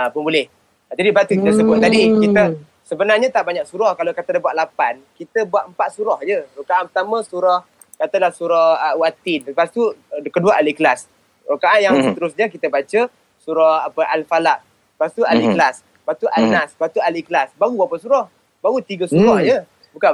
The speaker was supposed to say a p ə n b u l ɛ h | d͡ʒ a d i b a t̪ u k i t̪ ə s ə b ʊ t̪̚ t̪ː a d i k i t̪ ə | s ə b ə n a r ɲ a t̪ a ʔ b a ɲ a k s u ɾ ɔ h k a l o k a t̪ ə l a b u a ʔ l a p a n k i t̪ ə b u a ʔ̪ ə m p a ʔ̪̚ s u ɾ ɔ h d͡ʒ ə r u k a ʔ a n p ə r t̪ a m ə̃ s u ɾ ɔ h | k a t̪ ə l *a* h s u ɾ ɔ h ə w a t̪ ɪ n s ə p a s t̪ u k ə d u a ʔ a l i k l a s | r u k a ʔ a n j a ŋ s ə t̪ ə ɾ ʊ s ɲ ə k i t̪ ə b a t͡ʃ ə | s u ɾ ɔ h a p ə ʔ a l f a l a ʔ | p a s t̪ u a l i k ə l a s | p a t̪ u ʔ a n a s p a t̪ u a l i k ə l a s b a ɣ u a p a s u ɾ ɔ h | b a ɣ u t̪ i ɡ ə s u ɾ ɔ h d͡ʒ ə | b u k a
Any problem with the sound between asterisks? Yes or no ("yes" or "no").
no